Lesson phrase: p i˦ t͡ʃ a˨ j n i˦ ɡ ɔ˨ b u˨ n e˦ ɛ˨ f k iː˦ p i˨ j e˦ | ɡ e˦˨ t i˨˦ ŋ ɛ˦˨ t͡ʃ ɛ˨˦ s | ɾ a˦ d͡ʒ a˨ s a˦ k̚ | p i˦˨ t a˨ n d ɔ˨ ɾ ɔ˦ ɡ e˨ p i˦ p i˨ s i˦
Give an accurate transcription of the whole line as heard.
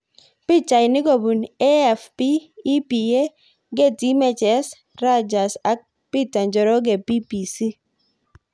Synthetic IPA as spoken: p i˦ t͡ʃ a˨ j n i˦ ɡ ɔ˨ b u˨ n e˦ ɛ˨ f p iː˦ p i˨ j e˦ | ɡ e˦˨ t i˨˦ m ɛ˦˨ t͡ʃ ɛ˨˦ s | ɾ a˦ d͡ʒ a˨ s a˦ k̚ | p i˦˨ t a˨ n d͡ʒ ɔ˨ ɾ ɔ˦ ɡ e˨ p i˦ p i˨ s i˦